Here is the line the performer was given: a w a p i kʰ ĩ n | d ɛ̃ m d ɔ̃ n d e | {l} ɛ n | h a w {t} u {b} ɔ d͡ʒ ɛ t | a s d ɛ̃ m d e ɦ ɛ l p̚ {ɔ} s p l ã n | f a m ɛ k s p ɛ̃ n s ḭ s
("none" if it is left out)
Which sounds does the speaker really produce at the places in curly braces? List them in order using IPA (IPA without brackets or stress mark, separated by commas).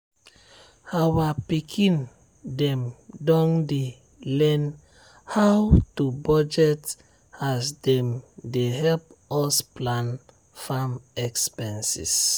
l, t, b, ɔ